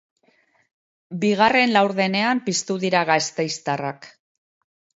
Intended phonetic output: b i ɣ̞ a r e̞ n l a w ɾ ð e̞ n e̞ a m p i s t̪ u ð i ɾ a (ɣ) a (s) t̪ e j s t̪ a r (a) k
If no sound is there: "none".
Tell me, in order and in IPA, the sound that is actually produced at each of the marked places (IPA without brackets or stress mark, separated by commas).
ɣ, s, a